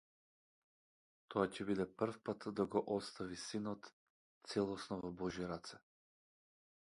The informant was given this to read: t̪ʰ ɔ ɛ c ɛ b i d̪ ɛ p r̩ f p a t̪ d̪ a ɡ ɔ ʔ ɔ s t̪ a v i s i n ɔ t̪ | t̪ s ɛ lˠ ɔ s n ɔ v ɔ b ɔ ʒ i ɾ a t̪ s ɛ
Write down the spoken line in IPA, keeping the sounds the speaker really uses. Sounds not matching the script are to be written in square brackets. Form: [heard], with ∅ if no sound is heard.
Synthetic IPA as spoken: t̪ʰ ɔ [a] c ɛ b i d̪ ɛ p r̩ f p a t̪ d̪ a ɡ ɔ ʔ ɔ s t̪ a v i s i n ɔ t̪ | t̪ s ɛ lˠ ɔ s n ɔ v ɔ b ɔ ʒ i ɾ a t̪ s ɛ